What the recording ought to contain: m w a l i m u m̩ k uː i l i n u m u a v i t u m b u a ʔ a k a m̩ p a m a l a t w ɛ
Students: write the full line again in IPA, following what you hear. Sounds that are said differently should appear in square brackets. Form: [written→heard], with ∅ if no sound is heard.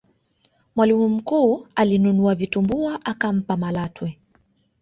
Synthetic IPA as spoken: m w a l i m u m̩ k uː [i→a] l i n u [m→n] u a v i t u m b u a ʔ a k a m̩ p a m a l a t w ɛ

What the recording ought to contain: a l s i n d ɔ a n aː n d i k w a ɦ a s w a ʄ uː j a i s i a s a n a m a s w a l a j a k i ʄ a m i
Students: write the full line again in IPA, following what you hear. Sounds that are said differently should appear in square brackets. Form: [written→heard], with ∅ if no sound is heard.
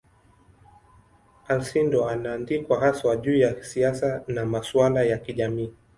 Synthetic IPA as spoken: a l s i n d ɔ a n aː n d i k w a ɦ a s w a ʄ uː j a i s i a s a n a m a s w a l a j a k i ʄ a m [i→iː]

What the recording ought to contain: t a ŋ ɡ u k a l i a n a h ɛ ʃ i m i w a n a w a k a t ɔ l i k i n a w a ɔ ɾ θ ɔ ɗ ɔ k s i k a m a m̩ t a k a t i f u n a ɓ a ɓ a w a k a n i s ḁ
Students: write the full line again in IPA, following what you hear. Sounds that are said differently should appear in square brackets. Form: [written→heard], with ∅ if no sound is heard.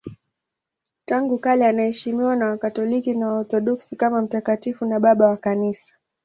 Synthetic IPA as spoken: t a ŋ ɡ u k a l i a n a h ɛ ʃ i m i w a n a w a k a t ɔ l i k i n a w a ɔ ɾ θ ɔ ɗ ɔ k s i k a m a m̩ t a k a t i f u n a ɓ a ɓ a w a k a n i s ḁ

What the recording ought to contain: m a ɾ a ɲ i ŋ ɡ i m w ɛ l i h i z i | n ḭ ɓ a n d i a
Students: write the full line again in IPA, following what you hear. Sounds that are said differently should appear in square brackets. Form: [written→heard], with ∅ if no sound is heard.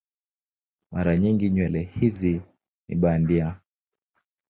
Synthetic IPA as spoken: m a ɾ a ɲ i ŋ ɡ i [m→ɲ] w ɛ l [i→ɛ] h i z i | n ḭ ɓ a n d i a

